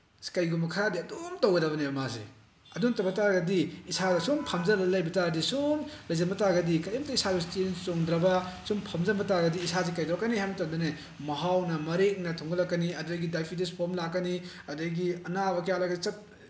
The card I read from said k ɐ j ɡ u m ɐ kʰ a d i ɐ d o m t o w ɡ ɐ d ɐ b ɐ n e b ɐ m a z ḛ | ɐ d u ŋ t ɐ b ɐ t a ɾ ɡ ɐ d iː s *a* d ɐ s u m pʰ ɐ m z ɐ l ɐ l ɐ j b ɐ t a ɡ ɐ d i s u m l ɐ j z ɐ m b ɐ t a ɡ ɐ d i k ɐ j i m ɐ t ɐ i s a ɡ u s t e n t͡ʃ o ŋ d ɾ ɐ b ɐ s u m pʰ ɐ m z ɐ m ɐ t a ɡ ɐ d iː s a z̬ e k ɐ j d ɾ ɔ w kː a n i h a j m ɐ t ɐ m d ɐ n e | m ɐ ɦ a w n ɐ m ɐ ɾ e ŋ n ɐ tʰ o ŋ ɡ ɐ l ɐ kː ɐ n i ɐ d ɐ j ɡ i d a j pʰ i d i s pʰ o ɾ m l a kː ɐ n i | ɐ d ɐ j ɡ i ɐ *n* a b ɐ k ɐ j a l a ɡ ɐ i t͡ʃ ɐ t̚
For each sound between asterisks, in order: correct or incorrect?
correct, correct

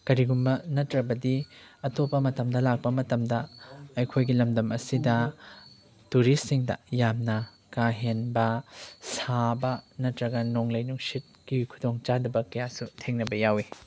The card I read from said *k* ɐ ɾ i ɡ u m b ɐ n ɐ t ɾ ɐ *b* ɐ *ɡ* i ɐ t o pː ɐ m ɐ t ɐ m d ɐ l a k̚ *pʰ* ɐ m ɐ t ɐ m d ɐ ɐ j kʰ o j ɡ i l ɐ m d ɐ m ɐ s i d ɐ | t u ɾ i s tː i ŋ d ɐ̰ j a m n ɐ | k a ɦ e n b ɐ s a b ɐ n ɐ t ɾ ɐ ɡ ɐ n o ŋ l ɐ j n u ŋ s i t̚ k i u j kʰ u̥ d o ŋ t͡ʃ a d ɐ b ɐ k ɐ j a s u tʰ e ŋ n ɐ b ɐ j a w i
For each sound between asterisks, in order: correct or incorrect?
correct, correct, incorrect, incorrect

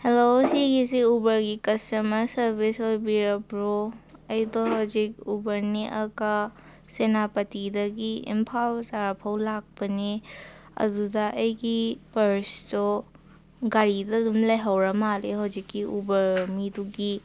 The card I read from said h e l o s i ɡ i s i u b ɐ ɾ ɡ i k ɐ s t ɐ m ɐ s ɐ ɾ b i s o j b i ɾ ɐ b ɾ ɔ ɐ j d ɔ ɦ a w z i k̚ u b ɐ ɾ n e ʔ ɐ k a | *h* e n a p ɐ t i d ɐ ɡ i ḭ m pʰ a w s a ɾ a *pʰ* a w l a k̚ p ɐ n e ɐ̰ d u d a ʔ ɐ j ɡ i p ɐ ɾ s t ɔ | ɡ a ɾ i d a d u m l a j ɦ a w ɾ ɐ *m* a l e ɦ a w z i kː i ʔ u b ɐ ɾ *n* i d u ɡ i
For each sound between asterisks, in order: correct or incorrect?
incorrect, correct, correct, incorrect

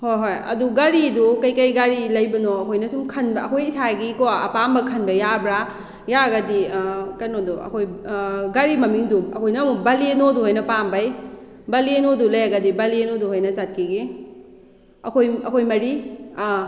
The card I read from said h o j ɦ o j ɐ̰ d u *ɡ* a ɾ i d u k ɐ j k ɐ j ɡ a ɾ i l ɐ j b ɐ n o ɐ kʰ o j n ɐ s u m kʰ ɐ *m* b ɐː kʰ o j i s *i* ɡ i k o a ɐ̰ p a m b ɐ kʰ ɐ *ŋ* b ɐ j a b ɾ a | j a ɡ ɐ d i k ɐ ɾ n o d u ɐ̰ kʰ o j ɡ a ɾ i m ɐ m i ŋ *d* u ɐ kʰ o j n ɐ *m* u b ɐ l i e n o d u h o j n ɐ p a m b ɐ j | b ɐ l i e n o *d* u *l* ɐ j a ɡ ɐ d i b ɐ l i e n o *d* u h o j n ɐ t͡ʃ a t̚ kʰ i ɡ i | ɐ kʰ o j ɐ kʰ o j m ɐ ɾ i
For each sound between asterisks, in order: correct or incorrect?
correct, incorrect, incorrect, incorrect, correct, correct, correct, correct, correct

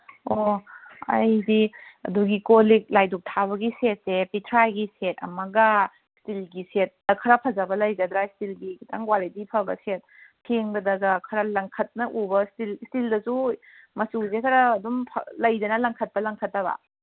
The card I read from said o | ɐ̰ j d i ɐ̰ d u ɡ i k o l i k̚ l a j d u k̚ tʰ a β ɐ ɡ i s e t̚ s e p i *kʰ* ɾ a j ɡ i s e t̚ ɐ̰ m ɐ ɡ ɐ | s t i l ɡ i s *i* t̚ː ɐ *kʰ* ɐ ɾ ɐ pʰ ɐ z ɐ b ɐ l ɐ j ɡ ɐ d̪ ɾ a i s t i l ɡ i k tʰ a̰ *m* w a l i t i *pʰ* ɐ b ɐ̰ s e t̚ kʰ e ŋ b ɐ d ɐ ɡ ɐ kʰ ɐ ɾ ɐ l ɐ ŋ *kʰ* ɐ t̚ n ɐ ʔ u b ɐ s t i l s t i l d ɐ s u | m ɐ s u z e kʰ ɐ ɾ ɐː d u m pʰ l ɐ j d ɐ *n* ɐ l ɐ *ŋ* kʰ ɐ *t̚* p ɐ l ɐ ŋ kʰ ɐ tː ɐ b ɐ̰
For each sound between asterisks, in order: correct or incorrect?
incorrect, incorrect, correct, incorrect, correct, correct, correct, correct, correct

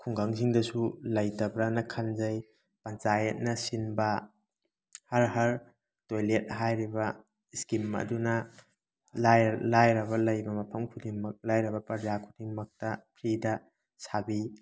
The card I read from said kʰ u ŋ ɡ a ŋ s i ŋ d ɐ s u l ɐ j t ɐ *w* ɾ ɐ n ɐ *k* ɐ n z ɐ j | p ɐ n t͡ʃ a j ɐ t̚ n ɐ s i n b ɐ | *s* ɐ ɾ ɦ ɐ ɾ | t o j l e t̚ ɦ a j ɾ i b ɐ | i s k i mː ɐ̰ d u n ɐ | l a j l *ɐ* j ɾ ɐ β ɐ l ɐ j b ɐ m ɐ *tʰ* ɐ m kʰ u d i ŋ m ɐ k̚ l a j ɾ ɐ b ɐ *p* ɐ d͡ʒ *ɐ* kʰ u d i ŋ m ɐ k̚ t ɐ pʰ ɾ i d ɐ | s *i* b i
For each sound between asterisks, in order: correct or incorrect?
incorrect, incorrect, incorrect, incorrect, incorrect, correct, incorrect, incorrect

